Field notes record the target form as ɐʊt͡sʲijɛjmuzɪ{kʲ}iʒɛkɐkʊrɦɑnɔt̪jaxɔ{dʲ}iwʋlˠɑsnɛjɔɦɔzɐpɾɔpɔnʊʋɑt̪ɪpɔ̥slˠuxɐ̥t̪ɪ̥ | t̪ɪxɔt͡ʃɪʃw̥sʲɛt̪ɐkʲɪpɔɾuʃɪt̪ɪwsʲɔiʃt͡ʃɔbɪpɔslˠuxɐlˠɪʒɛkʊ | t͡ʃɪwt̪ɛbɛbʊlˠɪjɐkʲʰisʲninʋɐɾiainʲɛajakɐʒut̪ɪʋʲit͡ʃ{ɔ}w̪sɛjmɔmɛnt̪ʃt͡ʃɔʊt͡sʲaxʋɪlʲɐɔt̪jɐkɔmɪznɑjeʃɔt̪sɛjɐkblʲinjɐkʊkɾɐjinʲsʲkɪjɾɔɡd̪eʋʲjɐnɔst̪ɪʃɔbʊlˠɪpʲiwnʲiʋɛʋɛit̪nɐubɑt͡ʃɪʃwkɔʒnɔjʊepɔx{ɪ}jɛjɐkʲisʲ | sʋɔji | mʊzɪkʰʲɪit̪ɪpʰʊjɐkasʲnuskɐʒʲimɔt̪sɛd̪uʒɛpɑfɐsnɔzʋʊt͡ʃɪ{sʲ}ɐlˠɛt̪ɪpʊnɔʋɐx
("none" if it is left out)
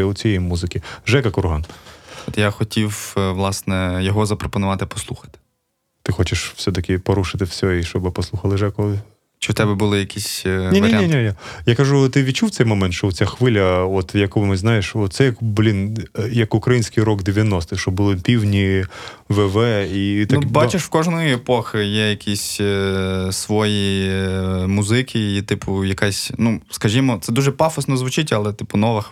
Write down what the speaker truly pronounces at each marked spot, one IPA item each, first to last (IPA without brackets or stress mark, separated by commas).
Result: kʲ, tʲ, u, ɪ, tʲ